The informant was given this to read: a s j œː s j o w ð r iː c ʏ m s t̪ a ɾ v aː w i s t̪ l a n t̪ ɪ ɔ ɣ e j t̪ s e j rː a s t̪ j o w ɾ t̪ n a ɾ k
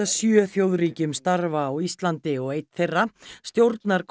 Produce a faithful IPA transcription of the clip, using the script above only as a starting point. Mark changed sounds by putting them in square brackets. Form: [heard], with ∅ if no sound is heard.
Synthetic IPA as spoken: a s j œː [θ] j o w ð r iː c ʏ m s t̪ a ɾ v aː w i s t̪ l a n t̪ ɪ ɔ ɣ e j t̪ [θ] e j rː a s t̪ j o w ɾ t̪ n a ɾ k